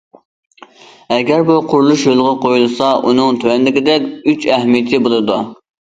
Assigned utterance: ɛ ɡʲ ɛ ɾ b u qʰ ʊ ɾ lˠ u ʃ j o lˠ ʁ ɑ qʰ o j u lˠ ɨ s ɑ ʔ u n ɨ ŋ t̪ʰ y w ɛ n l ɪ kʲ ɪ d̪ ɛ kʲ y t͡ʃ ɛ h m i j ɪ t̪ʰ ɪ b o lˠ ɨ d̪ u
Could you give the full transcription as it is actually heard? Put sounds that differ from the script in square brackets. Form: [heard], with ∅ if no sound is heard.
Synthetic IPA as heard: ɛ ɡʲ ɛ ɾ b u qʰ ʊ ɾ lˠ u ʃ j o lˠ ʁ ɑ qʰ o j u lˠ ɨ s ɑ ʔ u n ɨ ŋ t̪ʰ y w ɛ n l ɪ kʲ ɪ d̪ ɛ kʲ y t͡ʃ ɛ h m i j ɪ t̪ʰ ɪ b o lˠ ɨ d̪ u